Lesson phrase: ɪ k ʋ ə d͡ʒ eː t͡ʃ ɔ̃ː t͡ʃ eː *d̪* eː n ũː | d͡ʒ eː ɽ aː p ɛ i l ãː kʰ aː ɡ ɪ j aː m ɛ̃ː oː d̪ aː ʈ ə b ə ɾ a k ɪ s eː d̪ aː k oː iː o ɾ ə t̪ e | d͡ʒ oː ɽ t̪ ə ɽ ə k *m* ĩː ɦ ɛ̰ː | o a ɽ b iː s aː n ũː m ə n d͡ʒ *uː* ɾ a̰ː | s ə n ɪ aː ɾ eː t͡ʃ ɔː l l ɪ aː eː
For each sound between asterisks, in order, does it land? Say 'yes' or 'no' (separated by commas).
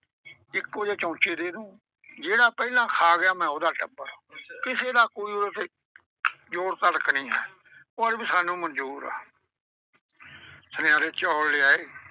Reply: yes, no, yes